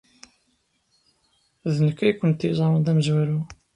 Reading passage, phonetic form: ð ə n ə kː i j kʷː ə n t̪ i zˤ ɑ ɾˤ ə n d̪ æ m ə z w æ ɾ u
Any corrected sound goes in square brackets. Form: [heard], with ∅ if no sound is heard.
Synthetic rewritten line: ð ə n ə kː [æ] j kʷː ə n t̪ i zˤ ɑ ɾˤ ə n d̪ æ m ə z w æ ɾ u